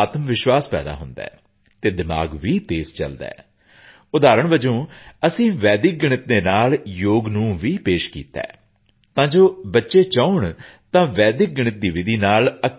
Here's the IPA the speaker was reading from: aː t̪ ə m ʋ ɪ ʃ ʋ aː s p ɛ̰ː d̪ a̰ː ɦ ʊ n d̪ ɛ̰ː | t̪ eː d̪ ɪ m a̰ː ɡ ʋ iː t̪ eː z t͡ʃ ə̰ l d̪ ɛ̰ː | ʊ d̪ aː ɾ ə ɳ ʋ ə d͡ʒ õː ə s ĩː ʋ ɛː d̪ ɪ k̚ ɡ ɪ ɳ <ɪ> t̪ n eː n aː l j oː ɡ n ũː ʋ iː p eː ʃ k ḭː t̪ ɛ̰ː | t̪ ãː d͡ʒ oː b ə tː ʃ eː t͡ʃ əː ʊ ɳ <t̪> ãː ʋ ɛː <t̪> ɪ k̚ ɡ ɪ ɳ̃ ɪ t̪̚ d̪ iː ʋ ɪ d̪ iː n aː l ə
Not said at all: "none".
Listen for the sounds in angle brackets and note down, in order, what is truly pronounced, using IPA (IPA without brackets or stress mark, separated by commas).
ɪ, t̪, d̪